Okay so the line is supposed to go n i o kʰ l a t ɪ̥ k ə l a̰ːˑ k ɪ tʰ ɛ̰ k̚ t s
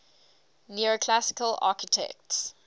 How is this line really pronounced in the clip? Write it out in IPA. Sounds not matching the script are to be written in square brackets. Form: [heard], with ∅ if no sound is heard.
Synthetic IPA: n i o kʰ l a [s] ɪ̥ k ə l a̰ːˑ k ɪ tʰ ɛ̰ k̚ t s